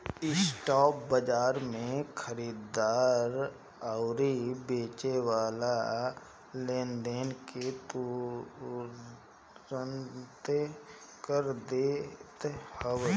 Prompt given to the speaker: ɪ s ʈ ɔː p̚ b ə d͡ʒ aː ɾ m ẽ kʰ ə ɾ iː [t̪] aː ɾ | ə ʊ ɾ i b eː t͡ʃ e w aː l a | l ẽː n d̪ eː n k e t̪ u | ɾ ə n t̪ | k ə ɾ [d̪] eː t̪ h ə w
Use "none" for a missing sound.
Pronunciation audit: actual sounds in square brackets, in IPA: d̪, d̪

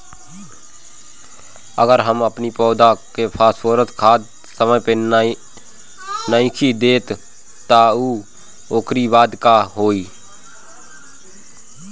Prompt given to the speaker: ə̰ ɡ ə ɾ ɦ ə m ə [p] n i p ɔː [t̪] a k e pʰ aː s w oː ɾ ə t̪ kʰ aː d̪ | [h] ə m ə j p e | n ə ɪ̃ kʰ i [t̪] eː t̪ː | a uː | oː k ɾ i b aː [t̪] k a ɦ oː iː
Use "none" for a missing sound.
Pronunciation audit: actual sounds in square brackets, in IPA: p, d̪, s, d̪, d̪

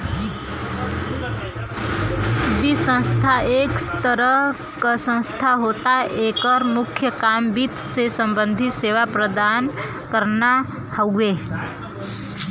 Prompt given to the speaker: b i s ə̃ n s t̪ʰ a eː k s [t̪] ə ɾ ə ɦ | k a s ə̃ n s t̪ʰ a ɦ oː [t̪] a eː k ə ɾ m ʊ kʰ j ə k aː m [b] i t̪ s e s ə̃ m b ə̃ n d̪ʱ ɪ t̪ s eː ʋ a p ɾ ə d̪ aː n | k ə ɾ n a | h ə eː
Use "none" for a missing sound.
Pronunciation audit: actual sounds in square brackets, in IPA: t̪, t̪, b

